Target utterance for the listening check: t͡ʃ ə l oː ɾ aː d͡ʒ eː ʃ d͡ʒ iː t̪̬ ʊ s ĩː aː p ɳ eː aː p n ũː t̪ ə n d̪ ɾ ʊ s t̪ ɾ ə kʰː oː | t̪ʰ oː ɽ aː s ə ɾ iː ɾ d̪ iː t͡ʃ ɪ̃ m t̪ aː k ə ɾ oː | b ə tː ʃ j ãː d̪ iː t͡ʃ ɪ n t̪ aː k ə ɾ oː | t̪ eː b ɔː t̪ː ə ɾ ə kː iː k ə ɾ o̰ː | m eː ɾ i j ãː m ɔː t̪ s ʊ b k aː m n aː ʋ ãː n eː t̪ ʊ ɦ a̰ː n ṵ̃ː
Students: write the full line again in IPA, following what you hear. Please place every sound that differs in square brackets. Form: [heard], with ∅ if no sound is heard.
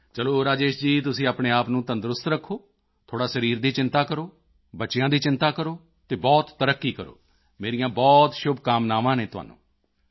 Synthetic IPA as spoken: t͡ʃ ə l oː ɾ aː d͡ʒ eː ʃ d͡ʒ iː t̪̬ ʊ s ĩː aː p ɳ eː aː p n ũː t̪ ə n d̪ ɾ ʊ s t̪ ɾ ə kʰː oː | t̪ʰ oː ɽ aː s ə ɾ iː ɾ d̪ iː t͡ʃ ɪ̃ [n] t̪ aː k ə ɾ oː | b ə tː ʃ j ãː d̪ iː t͡ʃ ɪ n t̪ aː k ə ɾ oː | t̪ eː b ɔː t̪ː ə ɾ ə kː iː k ə ɾ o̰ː | m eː ɾ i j ãː [b] ɔː t̪ [ʃ] ʊ b k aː m n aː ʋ ãː n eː t̪ ʊ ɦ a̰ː n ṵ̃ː